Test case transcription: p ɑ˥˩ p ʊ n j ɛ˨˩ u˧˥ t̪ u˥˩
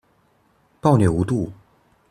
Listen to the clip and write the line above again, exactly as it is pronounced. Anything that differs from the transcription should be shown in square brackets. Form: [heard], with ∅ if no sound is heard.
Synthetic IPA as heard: p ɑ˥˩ [∅] ʊ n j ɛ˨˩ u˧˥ t̪ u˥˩